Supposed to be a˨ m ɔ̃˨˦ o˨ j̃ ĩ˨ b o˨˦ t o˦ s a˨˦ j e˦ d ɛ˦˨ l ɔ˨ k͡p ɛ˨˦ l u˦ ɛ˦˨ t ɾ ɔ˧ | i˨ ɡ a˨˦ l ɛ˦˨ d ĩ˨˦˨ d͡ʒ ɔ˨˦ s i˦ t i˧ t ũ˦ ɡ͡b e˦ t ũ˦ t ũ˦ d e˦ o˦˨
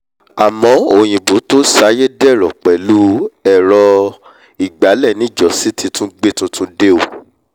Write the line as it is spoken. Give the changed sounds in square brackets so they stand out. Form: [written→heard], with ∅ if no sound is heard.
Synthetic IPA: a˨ m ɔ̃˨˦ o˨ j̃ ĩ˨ b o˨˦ t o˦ s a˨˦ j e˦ d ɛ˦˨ [l→ɾ] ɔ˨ k͡p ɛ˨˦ l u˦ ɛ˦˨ [t→∅] ɾ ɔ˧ | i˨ [ɡ→ɡ͡b] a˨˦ l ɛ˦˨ [d→n] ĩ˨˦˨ d͡ʒ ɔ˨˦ s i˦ t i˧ t ũ˦ ɡ͡b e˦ t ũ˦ t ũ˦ d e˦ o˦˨